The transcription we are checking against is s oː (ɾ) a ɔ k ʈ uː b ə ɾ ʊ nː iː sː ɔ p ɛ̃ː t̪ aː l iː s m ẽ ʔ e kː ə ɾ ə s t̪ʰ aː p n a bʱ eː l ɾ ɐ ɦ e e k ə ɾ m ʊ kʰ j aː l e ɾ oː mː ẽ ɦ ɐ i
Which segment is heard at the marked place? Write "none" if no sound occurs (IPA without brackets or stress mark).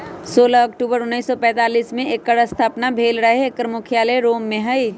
l